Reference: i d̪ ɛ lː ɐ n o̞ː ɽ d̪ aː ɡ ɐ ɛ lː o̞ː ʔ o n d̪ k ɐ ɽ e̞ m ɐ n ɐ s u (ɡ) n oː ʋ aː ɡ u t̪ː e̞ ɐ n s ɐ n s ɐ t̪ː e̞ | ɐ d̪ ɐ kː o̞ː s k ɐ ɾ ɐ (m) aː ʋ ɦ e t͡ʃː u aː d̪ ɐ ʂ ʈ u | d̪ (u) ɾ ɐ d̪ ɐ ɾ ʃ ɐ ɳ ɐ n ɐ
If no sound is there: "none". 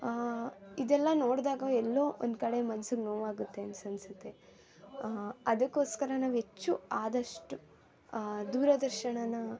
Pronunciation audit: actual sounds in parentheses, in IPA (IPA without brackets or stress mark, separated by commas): ɡ, n, uː